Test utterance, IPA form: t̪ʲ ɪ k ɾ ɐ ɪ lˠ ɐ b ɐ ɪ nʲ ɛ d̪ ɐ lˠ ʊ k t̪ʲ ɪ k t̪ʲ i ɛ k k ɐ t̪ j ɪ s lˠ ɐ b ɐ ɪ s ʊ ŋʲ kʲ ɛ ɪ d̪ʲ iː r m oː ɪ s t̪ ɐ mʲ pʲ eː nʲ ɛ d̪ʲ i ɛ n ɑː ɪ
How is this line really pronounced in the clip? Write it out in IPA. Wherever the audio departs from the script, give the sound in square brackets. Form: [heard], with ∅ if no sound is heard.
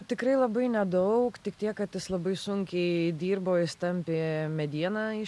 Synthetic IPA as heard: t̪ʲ ɪ k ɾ ɐ ɪ lˠ ɐ b ɐ ɪ nʲ ɛ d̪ ɐ [∅] ʊ k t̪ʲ ɪ k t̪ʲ i ɛ k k ɐ t̪ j ɪ s lˠ ɐ b ɐ ɪ s ʊ ŋʲ kʲ ɛ ɪ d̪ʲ iː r [b] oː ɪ s t̪ ɐ mʲ pʲ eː [mʲ] ɛ d̪ʲ i ɛ n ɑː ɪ